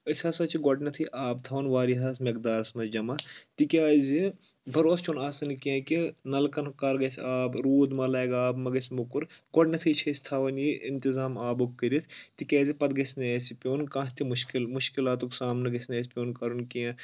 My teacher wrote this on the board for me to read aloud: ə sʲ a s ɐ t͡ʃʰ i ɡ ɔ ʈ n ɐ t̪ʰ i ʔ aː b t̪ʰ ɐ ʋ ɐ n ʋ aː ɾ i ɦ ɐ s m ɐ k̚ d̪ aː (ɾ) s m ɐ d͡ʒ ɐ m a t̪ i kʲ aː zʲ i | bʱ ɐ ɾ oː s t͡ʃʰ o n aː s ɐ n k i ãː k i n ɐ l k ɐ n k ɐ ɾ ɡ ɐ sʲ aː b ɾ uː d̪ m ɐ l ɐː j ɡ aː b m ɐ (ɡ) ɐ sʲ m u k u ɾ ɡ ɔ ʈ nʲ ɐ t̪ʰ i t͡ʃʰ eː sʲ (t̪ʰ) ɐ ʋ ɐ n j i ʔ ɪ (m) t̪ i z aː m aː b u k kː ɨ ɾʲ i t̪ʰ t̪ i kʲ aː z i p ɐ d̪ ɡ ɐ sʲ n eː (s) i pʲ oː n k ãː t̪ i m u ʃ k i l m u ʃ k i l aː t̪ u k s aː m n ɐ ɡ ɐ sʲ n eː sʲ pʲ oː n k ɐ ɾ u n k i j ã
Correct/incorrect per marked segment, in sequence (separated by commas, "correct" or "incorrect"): correct, correct, correct, incorrect, correct